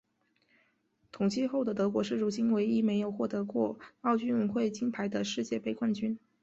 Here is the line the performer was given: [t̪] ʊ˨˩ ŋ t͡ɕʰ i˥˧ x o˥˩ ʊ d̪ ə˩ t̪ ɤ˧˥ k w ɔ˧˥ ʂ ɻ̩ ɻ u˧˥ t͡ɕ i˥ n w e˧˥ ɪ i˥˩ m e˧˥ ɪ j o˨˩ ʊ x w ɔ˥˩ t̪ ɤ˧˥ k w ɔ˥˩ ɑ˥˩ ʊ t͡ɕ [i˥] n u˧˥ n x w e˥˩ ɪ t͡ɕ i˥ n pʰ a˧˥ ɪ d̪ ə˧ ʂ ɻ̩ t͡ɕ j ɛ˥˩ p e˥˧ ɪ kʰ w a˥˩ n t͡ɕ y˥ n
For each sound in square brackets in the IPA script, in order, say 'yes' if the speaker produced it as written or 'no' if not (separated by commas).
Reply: no, no